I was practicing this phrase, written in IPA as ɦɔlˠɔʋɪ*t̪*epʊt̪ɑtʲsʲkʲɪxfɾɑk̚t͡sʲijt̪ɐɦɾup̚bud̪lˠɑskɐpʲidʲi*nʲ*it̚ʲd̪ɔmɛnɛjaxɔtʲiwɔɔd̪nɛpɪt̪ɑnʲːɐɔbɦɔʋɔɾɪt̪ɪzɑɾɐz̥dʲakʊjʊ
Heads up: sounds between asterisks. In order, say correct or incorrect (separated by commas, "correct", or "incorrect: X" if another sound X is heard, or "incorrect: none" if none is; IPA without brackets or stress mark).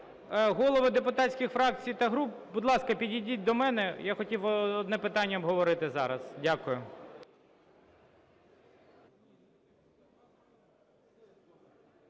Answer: incorrect: d̪, incorrect: dʲ